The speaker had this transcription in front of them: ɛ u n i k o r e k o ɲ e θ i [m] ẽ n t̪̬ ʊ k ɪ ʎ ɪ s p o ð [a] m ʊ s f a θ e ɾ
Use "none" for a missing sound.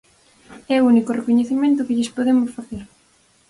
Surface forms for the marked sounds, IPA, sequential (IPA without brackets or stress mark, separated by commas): m, e